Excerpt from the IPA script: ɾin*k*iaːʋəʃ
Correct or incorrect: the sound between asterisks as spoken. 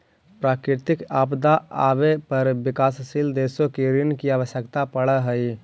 correct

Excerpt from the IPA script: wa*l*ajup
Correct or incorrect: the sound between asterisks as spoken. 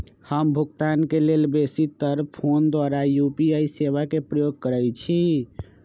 incorrect: ɾ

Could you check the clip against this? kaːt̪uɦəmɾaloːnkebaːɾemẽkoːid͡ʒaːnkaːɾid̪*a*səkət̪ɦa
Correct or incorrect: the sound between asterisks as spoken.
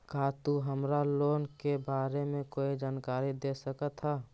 incorrect: e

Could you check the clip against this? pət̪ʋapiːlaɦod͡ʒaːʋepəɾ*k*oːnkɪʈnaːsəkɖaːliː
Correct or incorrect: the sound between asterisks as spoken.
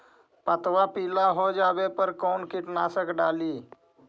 correct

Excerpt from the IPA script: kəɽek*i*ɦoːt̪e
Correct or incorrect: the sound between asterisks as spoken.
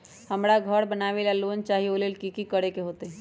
incorrect: e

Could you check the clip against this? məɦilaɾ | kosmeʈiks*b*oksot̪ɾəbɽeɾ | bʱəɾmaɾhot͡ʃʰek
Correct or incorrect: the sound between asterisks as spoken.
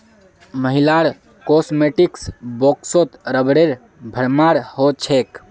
correct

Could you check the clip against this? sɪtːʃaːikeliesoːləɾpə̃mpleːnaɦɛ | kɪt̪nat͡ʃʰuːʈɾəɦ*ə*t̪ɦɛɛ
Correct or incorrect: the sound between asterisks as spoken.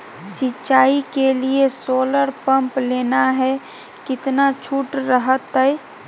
correct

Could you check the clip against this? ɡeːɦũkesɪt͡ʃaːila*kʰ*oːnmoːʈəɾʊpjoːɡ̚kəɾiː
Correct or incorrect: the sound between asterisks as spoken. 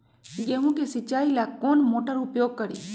incorrect: k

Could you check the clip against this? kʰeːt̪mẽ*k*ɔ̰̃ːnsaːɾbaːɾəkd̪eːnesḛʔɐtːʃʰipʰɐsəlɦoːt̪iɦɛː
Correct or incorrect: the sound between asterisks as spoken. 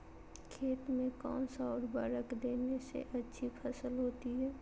correct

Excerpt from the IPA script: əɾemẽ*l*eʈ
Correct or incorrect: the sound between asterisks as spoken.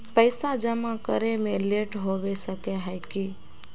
correct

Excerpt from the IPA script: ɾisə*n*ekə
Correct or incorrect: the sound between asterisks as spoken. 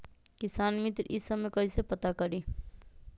incorrect: m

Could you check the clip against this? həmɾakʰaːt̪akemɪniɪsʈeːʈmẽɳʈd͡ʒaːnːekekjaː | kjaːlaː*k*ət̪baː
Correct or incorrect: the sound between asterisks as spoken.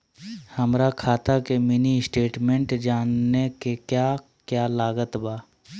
incorrect: ɡ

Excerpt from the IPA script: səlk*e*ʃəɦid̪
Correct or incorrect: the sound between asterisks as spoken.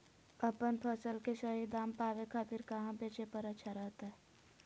correct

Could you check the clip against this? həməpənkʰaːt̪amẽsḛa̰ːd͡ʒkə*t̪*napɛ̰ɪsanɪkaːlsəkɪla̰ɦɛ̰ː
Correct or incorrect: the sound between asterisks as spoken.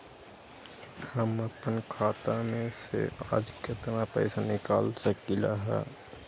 correct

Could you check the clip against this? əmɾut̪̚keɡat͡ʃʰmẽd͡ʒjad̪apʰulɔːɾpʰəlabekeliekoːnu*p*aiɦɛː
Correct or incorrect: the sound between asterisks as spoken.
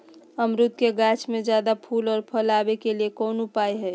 correct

